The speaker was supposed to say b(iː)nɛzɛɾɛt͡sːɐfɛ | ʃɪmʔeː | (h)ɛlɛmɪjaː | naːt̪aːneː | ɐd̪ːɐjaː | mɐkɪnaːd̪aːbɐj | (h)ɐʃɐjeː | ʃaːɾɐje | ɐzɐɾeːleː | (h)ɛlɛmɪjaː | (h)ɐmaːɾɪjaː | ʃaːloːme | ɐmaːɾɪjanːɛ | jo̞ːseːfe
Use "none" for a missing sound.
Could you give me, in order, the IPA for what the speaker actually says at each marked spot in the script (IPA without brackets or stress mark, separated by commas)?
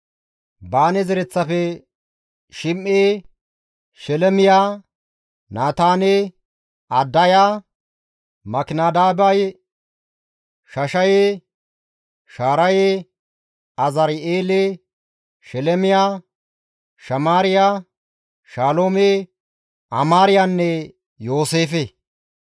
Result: aː, ʃ, ʃ, ʃ, ʃ